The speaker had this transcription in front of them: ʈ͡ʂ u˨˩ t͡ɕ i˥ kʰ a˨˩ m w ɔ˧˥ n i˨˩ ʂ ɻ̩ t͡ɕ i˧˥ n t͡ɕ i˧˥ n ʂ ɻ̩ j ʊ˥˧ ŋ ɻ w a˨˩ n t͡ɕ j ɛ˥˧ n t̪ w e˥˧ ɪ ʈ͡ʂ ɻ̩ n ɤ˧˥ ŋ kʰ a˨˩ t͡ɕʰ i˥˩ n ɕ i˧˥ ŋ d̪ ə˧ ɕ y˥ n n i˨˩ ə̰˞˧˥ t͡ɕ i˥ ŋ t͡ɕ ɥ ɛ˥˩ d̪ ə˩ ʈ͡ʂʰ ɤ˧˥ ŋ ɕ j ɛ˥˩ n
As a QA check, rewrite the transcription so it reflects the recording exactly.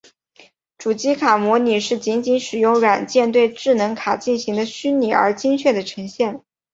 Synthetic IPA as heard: ʈ͡ʂ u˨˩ t͡ɕ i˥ kʰ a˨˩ m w ɔ˧˥ n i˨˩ ʂ ɻ̩ t͡ɕ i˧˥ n t͡ɕ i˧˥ n ʂ ɻ̩ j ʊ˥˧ ŋ ɻ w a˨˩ n t͡ɕ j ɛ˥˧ n t̪ w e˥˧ ɪ ʈ͡ʂ ɻ̩ n ɤ˧˥ ŋ kʰ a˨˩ t͡ɕ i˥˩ n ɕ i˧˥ ŋ d̪ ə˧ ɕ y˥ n n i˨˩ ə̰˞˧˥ t͡ɕ i˥ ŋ t͡ɕʰ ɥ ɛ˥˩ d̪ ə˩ ʈ͡ʂʰ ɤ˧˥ ŋ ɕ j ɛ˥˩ n

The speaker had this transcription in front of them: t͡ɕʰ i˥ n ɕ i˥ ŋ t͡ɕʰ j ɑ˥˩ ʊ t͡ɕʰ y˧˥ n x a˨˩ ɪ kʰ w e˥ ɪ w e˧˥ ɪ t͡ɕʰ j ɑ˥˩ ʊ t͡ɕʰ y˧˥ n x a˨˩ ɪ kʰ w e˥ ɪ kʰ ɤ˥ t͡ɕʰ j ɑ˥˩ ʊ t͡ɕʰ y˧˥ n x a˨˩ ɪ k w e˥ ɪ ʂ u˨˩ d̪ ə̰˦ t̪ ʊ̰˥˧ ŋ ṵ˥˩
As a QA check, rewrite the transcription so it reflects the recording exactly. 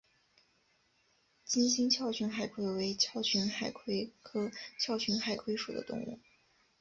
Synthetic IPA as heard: t͡ɕ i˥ n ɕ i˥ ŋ t͡ɕʰ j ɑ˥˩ ʊ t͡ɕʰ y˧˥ n x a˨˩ ɪ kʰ w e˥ ɪ w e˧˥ ɪ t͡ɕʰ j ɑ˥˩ ʊ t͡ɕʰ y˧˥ n x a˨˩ ɪ kʰ w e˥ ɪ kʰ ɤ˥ t͡ɕʰ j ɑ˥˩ ʊ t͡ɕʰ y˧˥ n x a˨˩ ɪ kʰ w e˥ ɪ ʂ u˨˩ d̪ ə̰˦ t̪ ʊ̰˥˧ ŋ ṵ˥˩

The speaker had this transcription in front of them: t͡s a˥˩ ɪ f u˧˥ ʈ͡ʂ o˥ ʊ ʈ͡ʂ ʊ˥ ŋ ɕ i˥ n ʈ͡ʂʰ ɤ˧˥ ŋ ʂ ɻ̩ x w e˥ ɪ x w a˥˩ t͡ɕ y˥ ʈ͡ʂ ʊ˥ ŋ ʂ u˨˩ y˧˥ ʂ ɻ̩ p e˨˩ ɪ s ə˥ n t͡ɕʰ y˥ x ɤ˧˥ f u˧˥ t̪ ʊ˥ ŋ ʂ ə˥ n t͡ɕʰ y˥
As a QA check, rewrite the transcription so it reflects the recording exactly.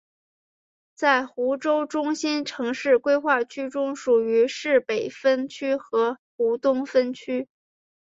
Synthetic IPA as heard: t͡s a˥˩ ɪ x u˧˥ ʈ͡ʂ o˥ ʊ ʈ͡ʂ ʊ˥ ŋ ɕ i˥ n ʈ͡ʂʰ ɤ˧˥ ŋ ʂ ɻ̩ k w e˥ ɪ x w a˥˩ t͡ɕʰ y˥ ʈ͡ʂ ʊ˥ ŋ ʂ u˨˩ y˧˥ ʂ ɻ̩ p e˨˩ ɪ f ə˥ n t͡ɕʰ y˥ x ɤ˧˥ x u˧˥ t̪ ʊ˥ ŋ f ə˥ n t͡ɕʰ y˥

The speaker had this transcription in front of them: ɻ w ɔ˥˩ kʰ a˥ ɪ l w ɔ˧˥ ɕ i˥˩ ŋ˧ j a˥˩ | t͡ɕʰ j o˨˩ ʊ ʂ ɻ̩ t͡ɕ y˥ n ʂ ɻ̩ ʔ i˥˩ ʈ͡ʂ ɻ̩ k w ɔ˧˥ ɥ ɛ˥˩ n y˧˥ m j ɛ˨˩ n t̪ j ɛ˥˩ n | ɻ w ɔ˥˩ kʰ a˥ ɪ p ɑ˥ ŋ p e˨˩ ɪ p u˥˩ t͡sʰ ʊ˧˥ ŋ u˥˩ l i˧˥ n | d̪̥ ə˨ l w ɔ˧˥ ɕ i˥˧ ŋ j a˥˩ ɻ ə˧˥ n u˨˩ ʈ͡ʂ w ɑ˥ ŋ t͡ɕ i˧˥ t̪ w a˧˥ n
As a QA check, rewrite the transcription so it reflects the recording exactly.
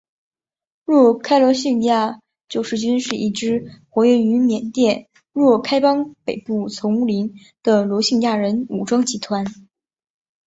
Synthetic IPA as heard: ɻ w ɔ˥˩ kʰ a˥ ɪ l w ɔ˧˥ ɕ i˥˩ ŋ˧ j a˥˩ | t͡ɕ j o˨˩ ʊ ʂ ɻ̩ t͡ɕ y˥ n ʂ ɻ̩ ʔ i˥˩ ʈ͡ʂ ɻ̩ x w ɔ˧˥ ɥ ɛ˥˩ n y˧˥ m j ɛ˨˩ n t̪ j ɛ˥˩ n | ɻ w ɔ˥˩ kʰ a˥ ɪ p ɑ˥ ŋ p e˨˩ ɪ p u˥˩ t͡sʰ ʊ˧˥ ŋ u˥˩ l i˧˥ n | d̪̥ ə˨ l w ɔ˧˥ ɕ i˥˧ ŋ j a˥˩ ɻ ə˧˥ n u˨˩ ʈ͡ʂ w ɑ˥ ŋ t͡ɕ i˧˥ t̪ʰ w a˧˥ n

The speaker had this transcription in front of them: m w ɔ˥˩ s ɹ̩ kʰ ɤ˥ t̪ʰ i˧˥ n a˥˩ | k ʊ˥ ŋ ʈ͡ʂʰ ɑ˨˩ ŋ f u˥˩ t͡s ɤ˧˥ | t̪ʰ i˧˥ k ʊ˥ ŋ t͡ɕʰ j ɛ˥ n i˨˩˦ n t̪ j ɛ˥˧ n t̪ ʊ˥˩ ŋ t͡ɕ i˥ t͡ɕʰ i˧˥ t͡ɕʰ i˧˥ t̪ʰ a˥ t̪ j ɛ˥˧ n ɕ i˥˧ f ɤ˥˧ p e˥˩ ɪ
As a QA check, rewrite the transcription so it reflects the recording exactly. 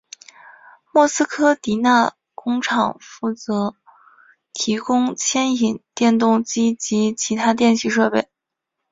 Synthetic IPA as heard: m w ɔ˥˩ s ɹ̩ kʰ ɤ˥ t̪ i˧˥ n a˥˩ | k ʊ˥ ŋ ʈ͡ʂʰ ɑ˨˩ ŋ f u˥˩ t͡s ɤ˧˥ | t̪ʰ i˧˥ k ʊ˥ ŋ t͡ɕʰ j ɛ˥ n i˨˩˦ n t̪ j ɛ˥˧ n t̪ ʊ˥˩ ŋ t͡ɕ i˥ t͡ɕ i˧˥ t͡ɕʰ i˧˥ t̪ʰ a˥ t̪ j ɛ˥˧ n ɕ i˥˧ ʂ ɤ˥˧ p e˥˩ ɪ

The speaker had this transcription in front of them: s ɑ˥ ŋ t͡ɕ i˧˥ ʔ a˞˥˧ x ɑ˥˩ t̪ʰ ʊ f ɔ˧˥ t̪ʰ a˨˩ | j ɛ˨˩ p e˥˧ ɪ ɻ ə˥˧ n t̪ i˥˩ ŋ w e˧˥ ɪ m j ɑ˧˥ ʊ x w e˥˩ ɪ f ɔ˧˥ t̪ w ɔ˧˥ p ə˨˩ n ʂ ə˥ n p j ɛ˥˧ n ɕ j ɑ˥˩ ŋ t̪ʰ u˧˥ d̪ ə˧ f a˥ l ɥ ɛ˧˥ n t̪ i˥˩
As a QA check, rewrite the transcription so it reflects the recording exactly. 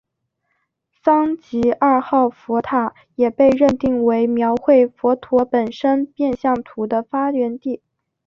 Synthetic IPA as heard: s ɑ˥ ŋ t͡ɕ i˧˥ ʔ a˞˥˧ x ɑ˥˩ ʊ f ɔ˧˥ t̪ʰ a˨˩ | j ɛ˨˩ p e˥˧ ɪ ɻ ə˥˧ n t̪ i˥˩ ŋ w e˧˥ ɪ m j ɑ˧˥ ʊ x w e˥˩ ɪ f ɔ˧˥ t̪ʰ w ɔ˧˥ p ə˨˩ n ʂ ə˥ n p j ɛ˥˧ n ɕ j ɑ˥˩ ŋ t̪ʰ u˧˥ d̪ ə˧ f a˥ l ɥ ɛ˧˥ n t̪ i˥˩

